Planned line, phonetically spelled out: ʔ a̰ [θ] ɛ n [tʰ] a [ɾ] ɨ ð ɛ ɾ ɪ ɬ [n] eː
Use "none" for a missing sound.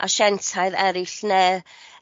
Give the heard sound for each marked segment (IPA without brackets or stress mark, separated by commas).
ʃ, tʰ, none, n